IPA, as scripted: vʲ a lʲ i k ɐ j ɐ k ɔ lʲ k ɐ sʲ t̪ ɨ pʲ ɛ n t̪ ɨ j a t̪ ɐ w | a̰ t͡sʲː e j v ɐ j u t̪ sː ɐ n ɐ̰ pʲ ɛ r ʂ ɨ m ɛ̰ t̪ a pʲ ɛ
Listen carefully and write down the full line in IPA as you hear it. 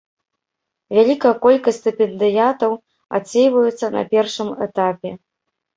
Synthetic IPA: vʲ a lʲ i k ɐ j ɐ k ɔ lʲ k ɐ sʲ t̪ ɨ pʲ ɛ n d̪ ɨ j a t̪ ɐ w | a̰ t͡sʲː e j v ɐ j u t̪ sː ɐ n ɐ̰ pʲ ɛ r ʂ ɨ m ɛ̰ t̪ a pʲ ɛ